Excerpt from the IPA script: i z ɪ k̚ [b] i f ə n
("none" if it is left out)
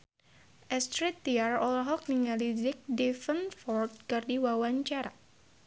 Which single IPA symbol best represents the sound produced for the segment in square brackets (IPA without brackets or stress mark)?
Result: d